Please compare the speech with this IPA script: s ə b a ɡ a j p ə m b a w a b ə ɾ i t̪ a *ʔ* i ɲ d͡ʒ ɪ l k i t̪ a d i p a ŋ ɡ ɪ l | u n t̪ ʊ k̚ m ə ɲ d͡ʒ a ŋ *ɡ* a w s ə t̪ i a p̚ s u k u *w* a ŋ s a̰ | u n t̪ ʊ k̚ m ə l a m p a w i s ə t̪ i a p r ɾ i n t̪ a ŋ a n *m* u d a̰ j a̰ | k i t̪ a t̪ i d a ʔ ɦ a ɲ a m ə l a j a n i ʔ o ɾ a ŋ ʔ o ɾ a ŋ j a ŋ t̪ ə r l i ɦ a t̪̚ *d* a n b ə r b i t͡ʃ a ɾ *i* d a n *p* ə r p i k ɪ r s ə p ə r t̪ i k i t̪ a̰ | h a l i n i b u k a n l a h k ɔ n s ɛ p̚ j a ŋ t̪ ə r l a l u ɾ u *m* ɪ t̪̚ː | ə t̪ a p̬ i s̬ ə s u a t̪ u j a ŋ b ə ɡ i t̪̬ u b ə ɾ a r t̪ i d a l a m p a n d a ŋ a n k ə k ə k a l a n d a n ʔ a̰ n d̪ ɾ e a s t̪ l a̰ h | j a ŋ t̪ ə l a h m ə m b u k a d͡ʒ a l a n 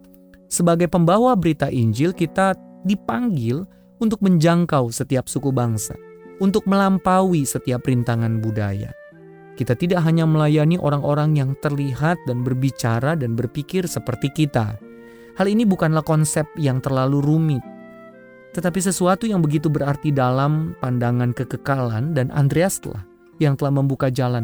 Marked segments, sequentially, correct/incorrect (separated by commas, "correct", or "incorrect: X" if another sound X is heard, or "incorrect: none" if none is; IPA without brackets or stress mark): correct, incorrect: k, incorrect: b, incorrect: b, correct, incorrect: a, incorrect: b, correct